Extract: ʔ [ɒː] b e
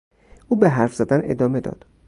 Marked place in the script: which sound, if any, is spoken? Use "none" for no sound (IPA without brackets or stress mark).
uː